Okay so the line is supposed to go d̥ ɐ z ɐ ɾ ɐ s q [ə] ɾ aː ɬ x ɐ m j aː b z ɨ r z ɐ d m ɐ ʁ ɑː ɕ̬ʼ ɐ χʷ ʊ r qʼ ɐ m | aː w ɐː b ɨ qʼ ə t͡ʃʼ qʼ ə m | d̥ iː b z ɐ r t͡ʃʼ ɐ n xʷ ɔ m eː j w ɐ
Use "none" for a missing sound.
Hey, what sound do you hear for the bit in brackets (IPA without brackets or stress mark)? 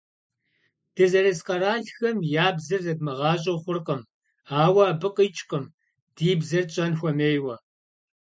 ɐ